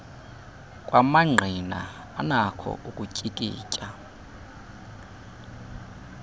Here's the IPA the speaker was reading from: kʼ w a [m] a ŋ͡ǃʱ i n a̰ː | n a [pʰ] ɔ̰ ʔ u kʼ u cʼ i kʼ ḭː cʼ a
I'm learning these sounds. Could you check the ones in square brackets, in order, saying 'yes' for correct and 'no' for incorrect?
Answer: yes, no

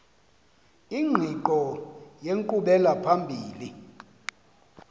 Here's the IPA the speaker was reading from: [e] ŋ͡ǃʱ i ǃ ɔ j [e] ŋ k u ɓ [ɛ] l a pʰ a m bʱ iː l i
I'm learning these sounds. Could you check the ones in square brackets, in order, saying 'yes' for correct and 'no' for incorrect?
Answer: no, yes, yes

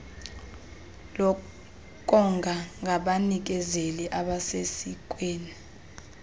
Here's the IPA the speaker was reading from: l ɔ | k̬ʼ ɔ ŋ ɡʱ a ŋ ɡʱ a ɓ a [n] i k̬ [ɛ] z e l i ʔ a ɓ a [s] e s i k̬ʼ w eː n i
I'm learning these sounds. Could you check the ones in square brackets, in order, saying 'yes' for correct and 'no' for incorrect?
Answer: yes, yes, yes

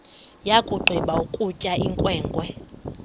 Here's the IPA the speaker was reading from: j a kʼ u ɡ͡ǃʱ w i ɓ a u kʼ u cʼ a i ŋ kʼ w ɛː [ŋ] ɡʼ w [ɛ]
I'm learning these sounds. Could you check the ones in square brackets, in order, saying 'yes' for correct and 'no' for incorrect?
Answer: yes, yes

